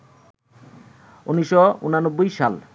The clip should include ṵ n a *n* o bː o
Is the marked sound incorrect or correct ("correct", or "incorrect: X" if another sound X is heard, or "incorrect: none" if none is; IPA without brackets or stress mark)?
correct